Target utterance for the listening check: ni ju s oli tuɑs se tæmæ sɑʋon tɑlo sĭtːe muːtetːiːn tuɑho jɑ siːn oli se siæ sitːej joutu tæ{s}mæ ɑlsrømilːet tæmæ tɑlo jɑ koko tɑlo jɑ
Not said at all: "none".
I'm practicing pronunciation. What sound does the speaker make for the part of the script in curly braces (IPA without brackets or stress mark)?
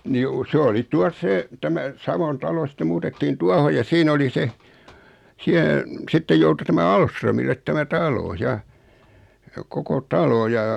none